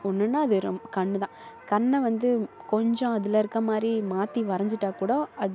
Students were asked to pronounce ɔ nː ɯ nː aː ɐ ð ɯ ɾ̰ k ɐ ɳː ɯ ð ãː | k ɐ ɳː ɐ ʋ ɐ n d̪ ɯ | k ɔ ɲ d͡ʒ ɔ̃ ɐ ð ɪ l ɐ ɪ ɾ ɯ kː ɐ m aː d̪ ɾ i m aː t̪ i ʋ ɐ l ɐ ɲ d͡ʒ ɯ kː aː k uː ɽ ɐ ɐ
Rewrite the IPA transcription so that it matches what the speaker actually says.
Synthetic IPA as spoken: ɔ nː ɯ nː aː ɐ ð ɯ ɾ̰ k ɐ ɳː ɯ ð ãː | k ɐ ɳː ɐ ʋ ɐ n d̪ ɯ | k ɔ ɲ d͡ʒ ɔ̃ ɐ ð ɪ l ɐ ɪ ɾ ɯ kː ɐ m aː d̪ ɾ i m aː t̪ i ʋ ɐ ɾ ɐ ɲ d͡ʒ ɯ ʈː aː k uː ɽ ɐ ɐ